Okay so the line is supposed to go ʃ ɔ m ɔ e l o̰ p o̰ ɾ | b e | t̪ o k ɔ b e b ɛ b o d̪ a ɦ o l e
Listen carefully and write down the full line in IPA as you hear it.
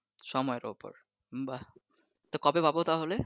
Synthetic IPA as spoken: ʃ ɔ m ɔ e ɾ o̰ p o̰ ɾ | b a | t̪ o k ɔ b e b a b o t̪ a ɦ o l e